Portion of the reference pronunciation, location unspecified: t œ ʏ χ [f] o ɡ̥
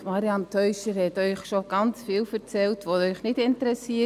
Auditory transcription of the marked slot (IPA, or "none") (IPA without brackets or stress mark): ʃ